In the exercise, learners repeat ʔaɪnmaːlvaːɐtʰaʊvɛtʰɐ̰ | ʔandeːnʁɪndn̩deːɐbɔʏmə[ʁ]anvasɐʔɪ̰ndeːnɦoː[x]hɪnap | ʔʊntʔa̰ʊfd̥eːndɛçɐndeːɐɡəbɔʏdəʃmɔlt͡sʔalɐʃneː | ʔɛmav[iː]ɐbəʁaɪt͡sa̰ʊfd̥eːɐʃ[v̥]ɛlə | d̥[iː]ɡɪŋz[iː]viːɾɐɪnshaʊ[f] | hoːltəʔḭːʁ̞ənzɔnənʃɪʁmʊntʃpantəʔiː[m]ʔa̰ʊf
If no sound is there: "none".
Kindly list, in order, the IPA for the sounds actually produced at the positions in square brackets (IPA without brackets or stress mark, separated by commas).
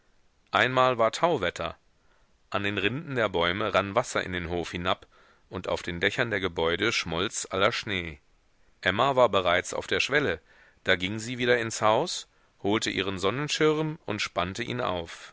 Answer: ʁ, f, aː, v̥, aː, iː, s, n